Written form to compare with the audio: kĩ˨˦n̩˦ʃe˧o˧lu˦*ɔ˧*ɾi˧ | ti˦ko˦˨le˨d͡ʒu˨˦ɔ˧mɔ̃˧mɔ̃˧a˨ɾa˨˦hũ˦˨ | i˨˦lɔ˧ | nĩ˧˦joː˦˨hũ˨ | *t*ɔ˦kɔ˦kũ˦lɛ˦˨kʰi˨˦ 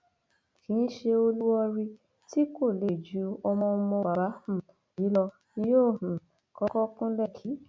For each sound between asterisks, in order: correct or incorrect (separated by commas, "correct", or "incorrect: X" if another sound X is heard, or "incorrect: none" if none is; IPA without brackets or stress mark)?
correct, incorrect: k